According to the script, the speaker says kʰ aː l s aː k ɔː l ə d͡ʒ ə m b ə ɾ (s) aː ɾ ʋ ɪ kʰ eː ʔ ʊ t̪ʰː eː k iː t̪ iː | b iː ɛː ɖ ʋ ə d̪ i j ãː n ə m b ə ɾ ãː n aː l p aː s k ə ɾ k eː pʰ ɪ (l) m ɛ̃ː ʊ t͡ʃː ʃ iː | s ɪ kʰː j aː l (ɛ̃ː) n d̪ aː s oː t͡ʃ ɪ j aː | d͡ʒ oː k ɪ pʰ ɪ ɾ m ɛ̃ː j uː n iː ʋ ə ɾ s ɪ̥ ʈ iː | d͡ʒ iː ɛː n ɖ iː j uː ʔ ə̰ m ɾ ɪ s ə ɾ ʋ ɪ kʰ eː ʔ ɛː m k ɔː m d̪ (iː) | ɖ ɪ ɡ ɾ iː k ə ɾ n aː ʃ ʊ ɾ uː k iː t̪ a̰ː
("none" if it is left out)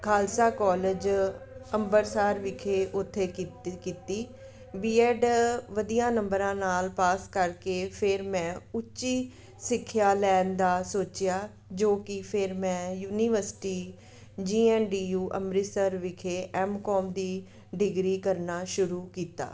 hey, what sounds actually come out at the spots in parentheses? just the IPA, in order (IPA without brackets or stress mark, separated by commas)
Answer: s, ɾ, ɛː, iː